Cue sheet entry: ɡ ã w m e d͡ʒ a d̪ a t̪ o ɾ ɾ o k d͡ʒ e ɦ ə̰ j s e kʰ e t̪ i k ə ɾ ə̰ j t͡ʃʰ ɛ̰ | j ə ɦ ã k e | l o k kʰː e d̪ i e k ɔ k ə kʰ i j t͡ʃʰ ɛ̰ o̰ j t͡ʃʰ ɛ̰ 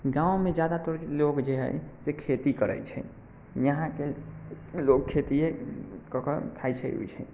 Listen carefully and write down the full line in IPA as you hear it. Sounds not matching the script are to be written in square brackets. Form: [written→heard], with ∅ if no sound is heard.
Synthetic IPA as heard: ɡ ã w m e d͡ʒ a d̪ a t̪ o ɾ [ɾ→l] o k d͡ʒ e ɦ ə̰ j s e kʰ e t̪ i k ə ɾ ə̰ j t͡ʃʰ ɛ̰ | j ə ɦ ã k e | l o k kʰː e [d̪→t̪] i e k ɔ k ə kʰ [i→a] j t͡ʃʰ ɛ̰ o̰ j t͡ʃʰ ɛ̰